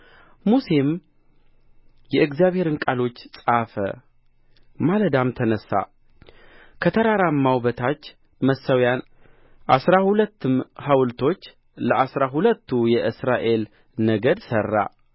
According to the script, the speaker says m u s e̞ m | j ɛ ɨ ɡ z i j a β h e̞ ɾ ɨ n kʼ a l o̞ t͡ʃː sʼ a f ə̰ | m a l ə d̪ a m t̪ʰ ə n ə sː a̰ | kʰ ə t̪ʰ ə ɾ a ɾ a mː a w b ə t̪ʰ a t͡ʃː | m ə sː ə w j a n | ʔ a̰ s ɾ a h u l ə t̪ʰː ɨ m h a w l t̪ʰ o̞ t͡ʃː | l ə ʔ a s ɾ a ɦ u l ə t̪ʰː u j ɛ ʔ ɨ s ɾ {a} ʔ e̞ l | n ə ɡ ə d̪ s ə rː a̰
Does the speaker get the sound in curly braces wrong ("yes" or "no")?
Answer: no